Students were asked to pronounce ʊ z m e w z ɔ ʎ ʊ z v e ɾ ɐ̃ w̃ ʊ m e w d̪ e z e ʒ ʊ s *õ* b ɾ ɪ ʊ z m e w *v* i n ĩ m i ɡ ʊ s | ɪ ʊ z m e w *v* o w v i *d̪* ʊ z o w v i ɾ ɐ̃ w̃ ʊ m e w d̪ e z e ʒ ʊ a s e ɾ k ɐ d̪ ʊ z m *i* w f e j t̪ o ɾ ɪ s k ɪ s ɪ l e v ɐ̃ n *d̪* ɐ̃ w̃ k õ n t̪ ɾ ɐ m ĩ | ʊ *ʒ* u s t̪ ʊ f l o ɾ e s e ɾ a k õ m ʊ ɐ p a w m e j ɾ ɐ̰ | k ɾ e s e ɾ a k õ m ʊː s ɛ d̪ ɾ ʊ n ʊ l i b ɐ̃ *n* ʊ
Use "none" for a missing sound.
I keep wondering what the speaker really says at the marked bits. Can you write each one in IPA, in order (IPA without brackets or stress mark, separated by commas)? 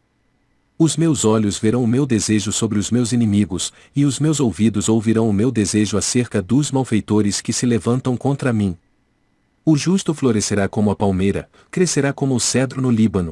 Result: o, z, z, d̪, a, t̪, ʒ, n